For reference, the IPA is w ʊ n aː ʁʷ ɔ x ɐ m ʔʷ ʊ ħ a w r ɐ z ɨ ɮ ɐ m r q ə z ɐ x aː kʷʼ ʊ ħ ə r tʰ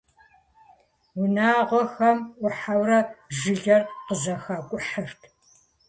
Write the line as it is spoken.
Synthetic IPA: w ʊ n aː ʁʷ ɔ x ɐ m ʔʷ ʊ ħ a w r ɐ ʒ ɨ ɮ ɐ r q ə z ɐ x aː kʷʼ ʊ ħ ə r tʰ